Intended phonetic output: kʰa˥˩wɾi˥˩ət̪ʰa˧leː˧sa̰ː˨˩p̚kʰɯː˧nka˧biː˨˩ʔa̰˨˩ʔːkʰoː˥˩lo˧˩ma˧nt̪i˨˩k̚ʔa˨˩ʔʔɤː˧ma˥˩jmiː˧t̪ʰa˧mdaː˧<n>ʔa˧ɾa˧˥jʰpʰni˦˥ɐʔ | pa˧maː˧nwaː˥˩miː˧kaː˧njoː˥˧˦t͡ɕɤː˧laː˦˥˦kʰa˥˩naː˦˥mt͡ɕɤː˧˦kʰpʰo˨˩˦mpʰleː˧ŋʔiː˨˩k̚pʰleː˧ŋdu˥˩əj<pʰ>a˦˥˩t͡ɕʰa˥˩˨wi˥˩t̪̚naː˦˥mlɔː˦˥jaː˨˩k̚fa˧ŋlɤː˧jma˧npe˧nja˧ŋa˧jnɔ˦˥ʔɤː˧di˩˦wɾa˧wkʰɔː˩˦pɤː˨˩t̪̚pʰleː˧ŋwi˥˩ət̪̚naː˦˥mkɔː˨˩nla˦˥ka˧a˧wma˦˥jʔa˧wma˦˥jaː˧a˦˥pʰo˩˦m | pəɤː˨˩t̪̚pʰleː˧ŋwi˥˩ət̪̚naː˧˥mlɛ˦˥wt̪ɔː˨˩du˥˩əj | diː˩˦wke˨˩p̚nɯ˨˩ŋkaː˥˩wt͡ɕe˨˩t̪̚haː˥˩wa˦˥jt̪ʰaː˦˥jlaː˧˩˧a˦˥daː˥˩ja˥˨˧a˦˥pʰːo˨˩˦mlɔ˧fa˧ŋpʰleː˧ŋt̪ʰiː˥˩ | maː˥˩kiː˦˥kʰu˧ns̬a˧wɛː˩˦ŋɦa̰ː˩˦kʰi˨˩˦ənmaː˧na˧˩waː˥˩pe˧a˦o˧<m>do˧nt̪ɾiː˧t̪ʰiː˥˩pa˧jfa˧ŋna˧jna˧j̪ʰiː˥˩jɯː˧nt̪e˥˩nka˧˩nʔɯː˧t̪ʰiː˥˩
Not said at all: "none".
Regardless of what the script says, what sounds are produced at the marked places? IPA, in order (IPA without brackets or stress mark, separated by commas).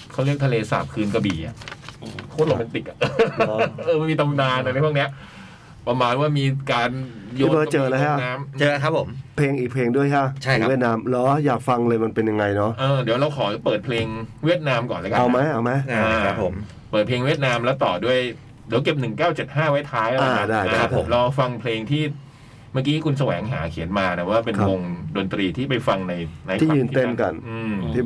n, kʰ, ŋ